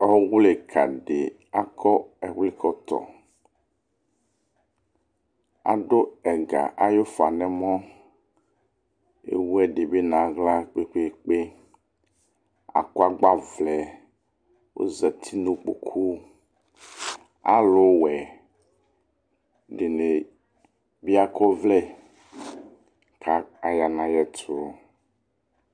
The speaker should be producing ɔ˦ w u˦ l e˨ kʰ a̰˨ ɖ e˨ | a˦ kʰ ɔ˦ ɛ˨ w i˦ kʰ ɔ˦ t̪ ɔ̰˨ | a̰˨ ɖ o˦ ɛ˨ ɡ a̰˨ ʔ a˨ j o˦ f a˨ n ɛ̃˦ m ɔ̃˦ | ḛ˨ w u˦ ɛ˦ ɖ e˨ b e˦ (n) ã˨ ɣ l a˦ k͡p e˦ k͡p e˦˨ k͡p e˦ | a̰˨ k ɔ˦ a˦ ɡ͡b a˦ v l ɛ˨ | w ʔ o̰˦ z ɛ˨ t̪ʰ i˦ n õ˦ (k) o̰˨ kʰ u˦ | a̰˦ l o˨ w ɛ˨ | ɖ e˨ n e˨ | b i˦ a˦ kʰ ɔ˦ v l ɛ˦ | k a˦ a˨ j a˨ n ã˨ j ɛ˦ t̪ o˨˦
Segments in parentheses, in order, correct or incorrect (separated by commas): correct, incorrect